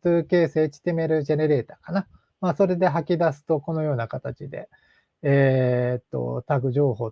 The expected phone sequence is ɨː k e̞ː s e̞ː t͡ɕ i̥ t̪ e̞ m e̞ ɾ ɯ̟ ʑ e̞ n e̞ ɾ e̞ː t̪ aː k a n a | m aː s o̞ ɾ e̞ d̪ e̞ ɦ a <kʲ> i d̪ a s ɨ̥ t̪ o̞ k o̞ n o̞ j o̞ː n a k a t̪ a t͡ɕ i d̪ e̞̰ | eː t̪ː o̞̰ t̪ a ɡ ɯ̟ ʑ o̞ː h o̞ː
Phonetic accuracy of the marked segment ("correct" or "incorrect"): correct